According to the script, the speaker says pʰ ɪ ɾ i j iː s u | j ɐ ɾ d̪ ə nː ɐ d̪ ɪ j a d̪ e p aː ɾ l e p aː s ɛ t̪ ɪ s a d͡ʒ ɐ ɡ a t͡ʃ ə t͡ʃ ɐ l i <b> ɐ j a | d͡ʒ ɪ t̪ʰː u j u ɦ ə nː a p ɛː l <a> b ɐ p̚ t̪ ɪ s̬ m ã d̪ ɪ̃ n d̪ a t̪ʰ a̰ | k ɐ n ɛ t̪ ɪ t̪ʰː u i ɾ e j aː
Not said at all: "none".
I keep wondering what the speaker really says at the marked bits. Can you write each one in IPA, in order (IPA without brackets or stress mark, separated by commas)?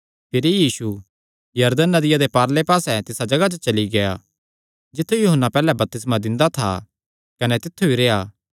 ɡ, ɛ